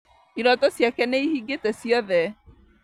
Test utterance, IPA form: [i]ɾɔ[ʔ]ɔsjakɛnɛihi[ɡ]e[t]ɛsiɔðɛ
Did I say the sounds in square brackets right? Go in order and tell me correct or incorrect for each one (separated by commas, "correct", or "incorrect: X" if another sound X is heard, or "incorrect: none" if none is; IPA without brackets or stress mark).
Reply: correct, incorrect: t, correct, correct